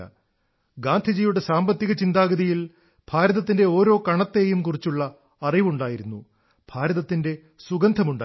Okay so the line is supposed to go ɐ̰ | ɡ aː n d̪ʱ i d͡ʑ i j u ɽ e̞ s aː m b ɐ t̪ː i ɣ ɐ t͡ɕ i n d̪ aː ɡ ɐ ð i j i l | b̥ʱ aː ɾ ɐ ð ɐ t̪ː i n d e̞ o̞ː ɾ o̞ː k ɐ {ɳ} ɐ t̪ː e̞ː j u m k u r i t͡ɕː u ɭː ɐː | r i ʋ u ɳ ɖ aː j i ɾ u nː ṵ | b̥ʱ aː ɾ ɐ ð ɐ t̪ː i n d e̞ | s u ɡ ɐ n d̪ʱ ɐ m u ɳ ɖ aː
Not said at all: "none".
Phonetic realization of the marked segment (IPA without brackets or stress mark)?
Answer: ɳ